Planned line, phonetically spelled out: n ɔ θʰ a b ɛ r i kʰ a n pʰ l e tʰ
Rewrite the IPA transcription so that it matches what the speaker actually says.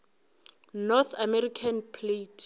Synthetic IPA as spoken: n ɔ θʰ a m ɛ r i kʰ a n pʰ l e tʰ